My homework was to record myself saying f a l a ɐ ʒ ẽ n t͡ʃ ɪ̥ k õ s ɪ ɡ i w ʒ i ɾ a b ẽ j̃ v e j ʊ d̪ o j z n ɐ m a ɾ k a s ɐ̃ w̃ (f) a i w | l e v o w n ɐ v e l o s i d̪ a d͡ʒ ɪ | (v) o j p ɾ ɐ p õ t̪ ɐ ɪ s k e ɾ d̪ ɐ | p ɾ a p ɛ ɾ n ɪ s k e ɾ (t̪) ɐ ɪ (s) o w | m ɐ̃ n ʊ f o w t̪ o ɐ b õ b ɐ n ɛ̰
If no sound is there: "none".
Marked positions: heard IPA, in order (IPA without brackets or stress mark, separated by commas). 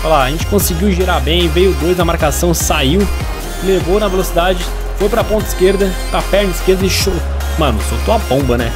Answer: s, f, d̪, ʃ